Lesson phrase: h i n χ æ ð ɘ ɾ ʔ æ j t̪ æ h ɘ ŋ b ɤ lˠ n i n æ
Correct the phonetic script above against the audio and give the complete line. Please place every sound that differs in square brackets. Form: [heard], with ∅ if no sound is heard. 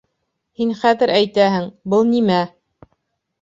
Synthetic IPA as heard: h i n χ æ ð ɘ ɾ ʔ æ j t̪ æ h ɘ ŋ b ɤ lˠ n i [m] æ